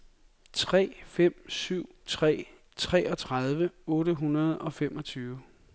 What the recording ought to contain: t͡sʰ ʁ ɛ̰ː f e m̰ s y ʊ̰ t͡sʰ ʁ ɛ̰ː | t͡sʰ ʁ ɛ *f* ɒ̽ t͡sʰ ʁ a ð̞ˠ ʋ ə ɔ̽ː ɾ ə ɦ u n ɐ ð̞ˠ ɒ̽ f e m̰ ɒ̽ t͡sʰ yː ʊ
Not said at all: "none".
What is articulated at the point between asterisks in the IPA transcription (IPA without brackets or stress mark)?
none